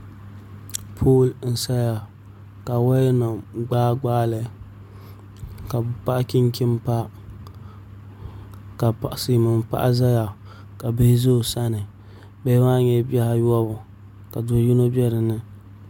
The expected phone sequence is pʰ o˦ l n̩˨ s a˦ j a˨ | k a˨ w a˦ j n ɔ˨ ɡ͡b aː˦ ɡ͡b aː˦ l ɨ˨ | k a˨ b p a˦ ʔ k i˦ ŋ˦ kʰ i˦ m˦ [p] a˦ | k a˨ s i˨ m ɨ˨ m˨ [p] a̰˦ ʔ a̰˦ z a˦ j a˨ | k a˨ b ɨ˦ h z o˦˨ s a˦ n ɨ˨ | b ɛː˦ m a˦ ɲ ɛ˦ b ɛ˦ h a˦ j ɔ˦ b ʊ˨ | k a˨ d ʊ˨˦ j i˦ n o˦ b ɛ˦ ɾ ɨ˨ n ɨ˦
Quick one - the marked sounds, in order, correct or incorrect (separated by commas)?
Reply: correct, correct